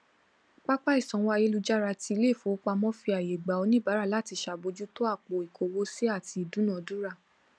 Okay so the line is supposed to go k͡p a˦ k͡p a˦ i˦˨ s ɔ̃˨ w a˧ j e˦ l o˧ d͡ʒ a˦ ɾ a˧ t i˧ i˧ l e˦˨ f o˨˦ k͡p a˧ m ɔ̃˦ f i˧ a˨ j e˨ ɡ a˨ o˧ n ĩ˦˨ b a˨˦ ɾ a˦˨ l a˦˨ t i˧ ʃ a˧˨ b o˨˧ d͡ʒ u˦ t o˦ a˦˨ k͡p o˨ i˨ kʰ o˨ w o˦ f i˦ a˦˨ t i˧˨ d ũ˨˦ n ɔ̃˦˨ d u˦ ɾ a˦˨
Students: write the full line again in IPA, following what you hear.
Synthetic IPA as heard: k͡p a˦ k͡p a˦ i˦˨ s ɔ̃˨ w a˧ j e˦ l u˧ d͡ʒ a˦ ɾ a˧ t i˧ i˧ l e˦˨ f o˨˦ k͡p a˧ m ɔ̃˦ f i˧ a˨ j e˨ ɡ͡b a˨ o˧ n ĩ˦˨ b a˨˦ ɾ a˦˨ l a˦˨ t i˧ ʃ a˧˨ b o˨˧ d͡ʒ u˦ t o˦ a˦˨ k͡p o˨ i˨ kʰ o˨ w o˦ s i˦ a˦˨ t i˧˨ d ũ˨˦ n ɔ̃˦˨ d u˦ ɾ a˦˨